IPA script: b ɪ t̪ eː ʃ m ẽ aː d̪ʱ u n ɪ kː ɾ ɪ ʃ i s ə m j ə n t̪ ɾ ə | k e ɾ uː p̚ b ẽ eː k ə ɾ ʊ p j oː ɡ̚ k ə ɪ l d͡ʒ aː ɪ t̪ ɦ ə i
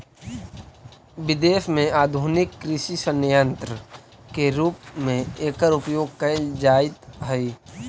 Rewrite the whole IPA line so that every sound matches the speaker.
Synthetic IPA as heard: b ɪ d̪ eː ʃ m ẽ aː d̪ʱ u n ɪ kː ɾ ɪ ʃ i s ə n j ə n t̪ ɾ ə | k e ɾ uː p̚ m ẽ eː k ə ɾ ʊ p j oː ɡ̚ k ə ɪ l d͡ʒ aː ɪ t̪ ɦ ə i